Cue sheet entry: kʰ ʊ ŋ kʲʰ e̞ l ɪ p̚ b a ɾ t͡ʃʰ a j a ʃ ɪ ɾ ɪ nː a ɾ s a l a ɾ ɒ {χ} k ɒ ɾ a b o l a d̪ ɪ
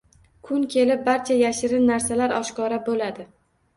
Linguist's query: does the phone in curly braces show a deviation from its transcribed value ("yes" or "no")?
yes